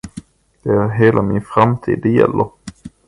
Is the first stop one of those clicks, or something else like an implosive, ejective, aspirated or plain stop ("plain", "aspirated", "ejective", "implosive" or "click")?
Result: plain